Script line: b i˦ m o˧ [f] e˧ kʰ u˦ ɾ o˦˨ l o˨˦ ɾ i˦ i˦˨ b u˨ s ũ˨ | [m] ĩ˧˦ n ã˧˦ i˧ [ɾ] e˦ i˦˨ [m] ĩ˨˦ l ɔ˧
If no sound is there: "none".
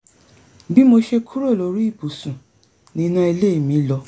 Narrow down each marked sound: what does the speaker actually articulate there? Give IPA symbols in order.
ʃ, n, l, m

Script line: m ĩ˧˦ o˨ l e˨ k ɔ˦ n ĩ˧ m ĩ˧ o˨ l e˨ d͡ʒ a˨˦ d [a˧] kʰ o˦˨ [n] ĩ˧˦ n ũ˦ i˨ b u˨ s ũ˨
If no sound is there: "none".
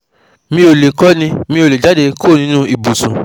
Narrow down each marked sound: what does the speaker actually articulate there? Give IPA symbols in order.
e˧, n

